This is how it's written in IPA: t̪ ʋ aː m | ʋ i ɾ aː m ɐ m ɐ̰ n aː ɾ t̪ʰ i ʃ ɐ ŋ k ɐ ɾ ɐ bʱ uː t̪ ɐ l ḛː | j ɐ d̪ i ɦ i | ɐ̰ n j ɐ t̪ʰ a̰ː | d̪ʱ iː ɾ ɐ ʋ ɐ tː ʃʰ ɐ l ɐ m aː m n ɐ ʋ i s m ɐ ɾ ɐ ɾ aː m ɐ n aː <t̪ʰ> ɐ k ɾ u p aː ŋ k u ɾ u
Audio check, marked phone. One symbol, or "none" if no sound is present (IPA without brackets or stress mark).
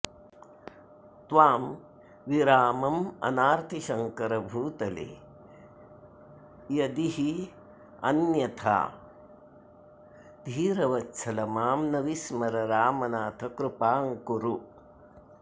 t̪ʰ